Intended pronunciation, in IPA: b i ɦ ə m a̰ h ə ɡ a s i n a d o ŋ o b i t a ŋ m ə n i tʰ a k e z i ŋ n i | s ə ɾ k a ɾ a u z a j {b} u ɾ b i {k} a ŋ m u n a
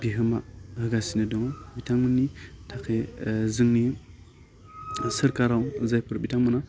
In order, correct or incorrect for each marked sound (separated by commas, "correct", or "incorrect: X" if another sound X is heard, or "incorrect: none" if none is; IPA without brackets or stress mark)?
incorrect: p, incorrect: t